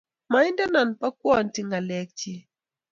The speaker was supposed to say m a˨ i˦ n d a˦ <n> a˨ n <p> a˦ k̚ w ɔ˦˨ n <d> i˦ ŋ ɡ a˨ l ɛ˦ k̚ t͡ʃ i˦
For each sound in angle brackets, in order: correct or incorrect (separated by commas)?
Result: correct, correct, incorrect